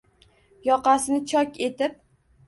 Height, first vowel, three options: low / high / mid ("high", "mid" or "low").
low